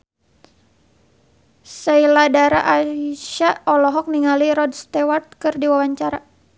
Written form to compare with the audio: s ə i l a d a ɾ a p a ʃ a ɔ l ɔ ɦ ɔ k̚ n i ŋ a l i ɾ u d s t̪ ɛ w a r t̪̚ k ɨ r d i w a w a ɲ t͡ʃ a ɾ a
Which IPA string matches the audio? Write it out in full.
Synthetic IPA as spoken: s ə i l a d a ɾ a ʔ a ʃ a ɔ l ɔ ɦ ɔ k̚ n i ŋ a l i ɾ ɔ d s t̪ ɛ w a r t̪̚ k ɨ r d i w a w a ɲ t͡ʃ a ɾ a

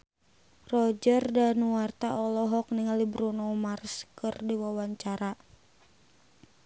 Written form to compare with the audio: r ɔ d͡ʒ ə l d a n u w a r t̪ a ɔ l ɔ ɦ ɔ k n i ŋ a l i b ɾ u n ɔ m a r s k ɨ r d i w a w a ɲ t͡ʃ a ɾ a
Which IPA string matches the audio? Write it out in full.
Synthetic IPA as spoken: r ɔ d͡ʒ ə r d a n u w a r t̪ a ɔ l ɔ ɦ ɔ k n i ŋ a l i b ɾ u n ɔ m a r s k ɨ r d i w a w a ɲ t͡ʃ a ɾ a

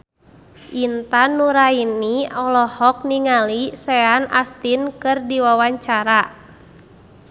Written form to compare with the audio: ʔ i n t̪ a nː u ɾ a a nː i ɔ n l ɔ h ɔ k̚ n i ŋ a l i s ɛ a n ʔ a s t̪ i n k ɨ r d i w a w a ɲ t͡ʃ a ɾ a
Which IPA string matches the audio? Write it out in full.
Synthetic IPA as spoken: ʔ i n t̪ a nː u ɾ a i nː i ɔ l ɔ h ɔ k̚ n i ŋ a l i s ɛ a n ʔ a s t̪ i n k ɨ r d i w a w a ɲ t͡ʃ a ɾ a

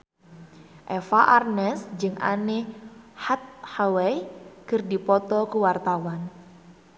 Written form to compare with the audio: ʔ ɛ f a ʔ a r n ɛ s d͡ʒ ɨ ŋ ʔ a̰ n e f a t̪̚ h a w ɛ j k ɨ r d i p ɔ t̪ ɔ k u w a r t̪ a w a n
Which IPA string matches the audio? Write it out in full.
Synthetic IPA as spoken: ʔ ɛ f a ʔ a r n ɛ s d͡ʒ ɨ ŋ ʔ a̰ n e h a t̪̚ h a w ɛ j k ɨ r d i p ɔ t̪ ɔ k u w a r t̪ a w a n

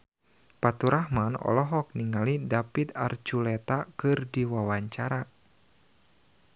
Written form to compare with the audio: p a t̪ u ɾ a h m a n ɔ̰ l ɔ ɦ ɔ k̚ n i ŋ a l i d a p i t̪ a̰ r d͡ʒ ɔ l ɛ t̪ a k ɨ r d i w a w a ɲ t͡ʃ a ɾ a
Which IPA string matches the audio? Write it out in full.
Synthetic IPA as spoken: p a t̪ u ɾ a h m a n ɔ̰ l ɔ ɦ ɔ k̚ n i ŋ a l i d a p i t̪ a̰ r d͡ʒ u l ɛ t̪ a k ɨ r d i w a w a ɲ t͡ʃ a ɾ a

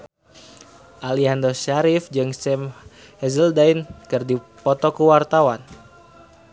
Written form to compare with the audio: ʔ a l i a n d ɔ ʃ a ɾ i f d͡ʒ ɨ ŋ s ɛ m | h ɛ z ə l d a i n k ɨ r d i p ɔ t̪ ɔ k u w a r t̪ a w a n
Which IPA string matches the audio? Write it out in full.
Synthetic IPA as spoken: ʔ a l i a n d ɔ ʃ a ɾ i f d͡ʒ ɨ ŋ s ɛ m | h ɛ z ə l d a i n k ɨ r d i p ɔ t̪ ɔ k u w a r t̪ a w a n

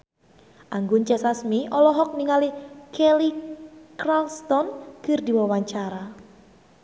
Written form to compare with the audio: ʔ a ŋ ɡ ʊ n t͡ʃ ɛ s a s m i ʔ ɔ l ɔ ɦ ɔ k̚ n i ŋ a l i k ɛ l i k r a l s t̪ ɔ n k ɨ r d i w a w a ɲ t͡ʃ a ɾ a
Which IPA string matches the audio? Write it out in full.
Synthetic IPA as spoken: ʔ a ŋ ɡ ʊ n t͡ʃ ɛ s a s m i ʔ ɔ l ɔ ɦ ɔ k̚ n i ŋ a l i k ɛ l i k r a l s t̪ ɔ n k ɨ r d i w a w a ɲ t͡ʃ a ɾ a

